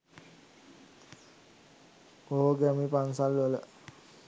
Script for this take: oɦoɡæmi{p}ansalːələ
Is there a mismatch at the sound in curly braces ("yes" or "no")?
no